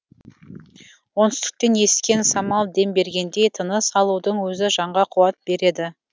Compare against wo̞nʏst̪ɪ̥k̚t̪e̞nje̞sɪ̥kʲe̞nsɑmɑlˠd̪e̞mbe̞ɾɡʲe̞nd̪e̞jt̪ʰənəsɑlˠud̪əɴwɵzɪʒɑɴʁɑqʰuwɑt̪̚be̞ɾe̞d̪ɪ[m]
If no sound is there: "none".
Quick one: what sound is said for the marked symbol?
none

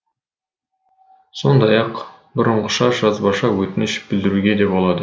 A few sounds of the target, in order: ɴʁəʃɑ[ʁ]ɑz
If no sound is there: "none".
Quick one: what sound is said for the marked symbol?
ʒ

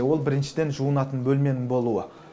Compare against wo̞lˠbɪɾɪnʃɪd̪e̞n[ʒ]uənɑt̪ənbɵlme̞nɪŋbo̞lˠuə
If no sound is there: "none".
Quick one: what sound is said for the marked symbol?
ʒ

